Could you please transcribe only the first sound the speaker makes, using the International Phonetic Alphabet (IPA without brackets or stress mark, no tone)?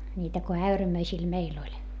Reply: nʲ